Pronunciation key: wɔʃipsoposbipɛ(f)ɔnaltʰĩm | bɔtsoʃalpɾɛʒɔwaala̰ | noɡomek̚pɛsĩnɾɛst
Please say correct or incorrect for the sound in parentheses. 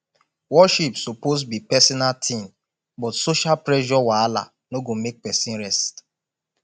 incorrect